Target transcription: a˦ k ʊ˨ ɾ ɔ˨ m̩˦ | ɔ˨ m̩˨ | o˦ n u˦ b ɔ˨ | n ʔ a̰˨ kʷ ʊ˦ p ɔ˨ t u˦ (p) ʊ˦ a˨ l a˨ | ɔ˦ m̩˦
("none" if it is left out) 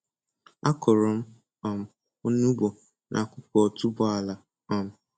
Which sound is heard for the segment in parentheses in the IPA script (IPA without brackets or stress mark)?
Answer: b